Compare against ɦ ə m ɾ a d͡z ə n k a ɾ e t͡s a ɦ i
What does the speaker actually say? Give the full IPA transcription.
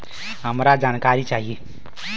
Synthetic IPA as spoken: ɦ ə m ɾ a d͡z a n k a ɾ i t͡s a ɦ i